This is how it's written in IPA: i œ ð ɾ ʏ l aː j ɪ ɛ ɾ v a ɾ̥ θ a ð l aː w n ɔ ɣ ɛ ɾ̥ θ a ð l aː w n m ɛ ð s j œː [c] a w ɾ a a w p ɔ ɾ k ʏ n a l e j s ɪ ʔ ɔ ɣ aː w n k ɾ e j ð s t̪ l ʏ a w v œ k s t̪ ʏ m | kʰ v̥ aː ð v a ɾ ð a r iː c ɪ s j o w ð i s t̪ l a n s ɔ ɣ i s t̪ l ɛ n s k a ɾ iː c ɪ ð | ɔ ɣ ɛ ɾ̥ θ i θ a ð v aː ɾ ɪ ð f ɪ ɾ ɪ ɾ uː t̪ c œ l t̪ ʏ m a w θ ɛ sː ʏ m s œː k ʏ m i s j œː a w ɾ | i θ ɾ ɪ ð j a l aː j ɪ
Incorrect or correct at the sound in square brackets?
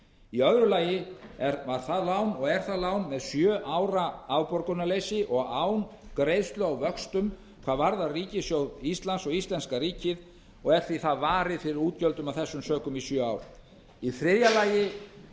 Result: incorrect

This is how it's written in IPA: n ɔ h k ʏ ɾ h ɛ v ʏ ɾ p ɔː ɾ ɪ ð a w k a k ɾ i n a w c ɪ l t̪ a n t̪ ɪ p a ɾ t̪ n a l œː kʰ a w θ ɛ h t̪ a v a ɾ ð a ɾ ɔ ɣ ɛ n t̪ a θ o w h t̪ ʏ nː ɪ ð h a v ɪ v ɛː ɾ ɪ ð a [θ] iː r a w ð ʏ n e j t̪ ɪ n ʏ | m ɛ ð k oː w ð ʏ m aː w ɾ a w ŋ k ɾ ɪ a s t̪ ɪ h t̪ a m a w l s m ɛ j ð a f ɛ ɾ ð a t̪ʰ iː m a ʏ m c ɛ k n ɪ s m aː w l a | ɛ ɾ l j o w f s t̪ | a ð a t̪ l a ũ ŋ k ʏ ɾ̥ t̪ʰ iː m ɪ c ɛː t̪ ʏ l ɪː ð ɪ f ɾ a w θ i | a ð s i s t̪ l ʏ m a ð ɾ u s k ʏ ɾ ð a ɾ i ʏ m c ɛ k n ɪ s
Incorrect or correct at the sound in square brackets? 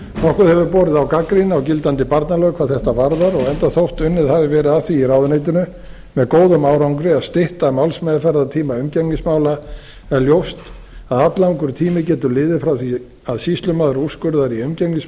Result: correct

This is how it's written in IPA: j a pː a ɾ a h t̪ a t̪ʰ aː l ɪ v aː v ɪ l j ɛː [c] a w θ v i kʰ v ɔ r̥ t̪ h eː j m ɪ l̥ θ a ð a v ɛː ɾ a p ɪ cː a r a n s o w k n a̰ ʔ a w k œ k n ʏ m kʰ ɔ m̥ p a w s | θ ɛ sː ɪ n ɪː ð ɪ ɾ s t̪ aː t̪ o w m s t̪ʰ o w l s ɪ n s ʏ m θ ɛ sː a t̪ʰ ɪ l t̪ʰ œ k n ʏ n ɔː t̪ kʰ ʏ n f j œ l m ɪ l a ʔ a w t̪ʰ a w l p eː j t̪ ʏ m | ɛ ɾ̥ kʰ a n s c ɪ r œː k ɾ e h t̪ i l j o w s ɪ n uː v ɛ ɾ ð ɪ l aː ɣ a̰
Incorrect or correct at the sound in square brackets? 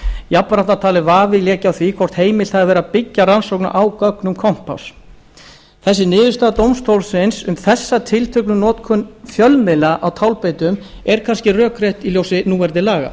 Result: correct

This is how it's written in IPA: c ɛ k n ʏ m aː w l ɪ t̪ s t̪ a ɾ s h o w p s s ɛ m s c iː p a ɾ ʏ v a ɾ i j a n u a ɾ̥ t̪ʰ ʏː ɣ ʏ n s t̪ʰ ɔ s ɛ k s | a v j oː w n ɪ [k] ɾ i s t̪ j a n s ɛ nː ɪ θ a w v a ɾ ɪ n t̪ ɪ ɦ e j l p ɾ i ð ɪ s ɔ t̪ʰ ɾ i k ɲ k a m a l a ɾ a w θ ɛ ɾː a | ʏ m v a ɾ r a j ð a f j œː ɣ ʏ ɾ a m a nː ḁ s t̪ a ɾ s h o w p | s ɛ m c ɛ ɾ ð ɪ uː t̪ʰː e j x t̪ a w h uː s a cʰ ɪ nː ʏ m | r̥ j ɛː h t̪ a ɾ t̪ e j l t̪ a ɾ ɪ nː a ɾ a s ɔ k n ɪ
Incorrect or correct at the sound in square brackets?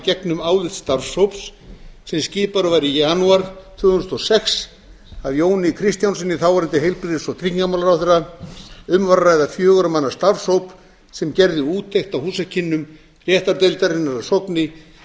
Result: incorrect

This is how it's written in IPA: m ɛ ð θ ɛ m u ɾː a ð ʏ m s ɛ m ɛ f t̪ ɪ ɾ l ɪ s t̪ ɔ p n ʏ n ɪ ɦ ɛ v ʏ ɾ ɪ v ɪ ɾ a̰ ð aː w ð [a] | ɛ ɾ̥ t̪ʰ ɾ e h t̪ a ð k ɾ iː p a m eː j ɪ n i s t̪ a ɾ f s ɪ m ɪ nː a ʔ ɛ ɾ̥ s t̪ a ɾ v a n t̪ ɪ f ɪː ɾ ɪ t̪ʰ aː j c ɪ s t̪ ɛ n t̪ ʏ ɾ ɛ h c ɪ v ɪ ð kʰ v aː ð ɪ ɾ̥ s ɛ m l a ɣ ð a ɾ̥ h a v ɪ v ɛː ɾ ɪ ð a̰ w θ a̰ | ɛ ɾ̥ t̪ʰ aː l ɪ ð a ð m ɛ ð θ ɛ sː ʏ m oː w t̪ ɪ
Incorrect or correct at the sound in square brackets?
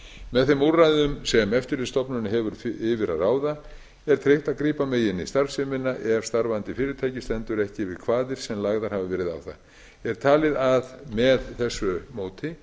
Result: correct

